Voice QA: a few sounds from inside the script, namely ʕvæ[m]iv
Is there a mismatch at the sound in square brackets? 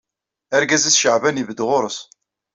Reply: yes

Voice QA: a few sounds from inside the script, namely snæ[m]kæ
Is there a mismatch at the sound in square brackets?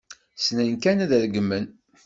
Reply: yes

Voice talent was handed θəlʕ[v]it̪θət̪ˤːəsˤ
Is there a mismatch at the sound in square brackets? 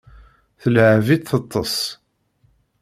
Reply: no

